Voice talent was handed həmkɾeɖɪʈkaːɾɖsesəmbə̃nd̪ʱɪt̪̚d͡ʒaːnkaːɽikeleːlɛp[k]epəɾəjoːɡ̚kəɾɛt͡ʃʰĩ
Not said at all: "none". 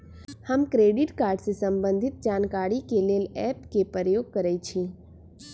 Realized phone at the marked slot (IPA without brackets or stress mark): k